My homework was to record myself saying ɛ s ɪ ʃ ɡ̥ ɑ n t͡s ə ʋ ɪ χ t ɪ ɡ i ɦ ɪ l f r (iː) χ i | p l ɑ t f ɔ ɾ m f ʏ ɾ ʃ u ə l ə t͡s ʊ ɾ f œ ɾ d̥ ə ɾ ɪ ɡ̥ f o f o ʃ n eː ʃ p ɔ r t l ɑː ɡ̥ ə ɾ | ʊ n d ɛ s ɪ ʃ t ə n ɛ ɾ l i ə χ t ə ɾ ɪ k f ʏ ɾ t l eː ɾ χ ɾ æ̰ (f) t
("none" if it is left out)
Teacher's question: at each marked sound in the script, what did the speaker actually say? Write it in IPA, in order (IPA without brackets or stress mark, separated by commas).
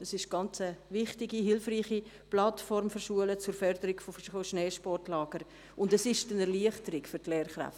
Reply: iː, f